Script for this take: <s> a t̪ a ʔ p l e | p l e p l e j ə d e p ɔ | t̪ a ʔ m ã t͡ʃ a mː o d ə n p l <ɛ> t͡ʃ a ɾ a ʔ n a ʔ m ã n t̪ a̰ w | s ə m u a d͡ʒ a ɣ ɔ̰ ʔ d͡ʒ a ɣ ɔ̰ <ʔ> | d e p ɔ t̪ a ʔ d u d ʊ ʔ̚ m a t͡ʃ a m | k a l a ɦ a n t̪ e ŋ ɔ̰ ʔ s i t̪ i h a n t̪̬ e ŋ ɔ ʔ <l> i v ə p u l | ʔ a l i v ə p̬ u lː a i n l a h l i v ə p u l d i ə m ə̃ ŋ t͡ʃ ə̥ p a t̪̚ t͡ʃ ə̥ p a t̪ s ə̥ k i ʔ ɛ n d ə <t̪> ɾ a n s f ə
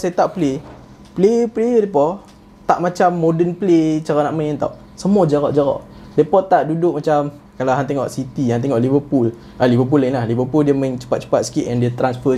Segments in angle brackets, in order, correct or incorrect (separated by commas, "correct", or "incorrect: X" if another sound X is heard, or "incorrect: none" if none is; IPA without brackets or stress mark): correct, incorrect: e, correct, correct, correct